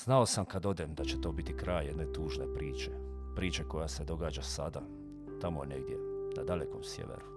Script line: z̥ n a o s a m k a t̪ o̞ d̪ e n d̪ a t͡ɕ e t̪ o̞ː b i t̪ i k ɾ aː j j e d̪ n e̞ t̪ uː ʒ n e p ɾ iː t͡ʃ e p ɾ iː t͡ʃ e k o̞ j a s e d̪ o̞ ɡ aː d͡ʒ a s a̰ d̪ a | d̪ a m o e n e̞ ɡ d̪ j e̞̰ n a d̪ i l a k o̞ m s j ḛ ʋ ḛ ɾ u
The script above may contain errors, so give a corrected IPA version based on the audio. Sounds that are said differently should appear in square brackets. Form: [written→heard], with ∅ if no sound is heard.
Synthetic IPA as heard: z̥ n a o s a m k a [t̪→d̪] o̞ d̪ e [n→m] d̪ a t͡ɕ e t̪ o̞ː b i t̪ i k ɾ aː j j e d̪ n e̞ t̪ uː ʒ n e p ɾ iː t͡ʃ e p ɾ iː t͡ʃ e k o̞ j a s e d̪ o̞ ɡ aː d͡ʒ a s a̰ d̪ a | [d̪→t̪] a m o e n e̞ ɡ d̪ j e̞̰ n a d̪ [i→a] l [a→e] k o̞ m s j ḛ ʋ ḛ ɾ u